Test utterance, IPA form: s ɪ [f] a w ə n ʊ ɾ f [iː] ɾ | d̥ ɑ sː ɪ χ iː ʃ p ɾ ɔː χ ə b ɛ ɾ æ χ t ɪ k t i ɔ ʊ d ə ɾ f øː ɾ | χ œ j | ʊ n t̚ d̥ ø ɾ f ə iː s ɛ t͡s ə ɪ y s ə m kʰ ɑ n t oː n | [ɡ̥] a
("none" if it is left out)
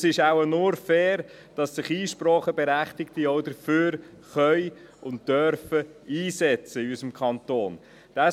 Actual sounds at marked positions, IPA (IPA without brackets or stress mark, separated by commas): ʃ, ɛː, d̥